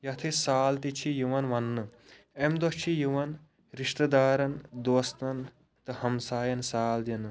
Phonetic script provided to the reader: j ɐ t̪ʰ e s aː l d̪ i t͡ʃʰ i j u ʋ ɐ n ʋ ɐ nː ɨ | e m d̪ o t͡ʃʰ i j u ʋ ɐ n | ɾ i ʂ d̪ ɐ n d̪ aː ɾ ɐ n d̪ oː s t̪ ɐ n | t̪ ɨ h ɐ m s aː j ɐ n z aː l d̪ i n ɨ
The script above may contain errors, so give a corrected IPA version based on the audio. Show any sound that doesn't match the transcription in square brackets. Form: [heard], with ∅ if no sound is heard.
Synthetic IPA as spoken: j ɐ t̪ʰ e s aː l [t̪] i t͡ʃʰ i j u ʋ ɐ n ʋ ɐ nː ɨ | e m d̪ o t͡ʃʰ i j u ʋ ɐ n | ɾ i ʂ [t̪] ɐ [∅] d̪ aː ɾ ɐ n d̪ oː s t̪ ɐ n | t̪ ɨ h ɐ m s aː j ɐ n [s] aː l d̪ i n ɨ